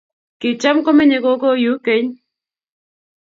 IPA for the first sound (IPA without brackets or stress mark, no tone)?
k